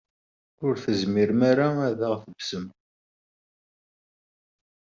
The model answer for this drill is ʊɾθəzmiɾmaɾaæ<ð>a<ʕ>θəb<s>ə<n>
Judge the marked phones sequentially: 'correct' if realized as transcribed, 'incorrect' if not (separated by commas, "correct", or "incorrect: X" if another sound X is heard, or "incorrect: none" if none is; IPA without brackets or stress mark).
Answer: correct, incorrect: ʁ, correct, incorrect: m